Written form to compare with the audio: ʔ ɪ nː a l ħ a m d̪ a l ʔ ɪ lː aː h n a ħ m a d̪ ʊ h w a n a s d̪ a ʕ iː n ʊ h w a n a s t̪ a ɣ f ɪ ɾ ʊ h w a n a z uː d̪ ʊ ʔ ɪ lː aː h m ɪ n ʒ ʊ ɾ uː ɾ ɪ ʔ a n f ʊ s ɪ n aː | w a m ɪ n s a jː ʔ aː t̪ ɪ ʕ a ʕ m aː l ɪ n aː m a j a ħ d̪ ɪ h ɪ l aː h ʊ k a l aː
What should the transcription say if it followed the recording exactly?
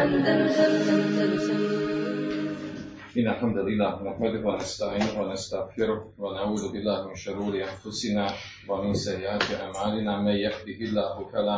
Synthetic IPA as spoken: ʔ ɪ nː a l ħ a m d̪ a l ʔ ɪ lː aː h n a ħ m a d̪ ʊ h w a n a s t̪ a ʕ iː n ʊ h w a n a s t̪ a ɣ f ɪ ɾ ʊ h w a n a ʕ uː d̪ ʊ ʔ ɪ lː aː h m ɪ n ʃ ʊ ɾ uː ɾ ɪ ʔ a n f ʊ s ɪ n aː | w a m ɪ n s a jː ʔ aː t̪ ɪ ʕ a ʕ m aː l ɪ n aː m a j a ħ d̪ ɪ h ɪ lː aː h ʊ k a l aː